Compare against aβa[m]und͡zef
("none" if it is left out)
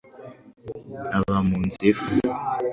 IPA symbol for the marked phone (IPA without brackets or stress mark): m